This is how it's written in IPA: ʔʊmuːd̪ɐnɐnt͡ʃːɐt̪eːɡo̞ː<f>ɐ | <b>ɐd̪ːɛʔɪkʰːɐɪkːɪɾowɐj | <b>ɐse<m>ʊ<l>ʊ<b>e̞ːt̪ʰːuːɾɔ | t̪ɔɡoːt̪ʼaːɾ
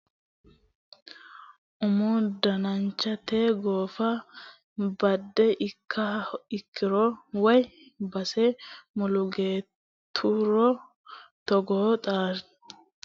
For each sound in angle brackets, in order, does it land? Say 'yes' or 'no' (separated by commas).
yes, yes, yes, yes, yes, no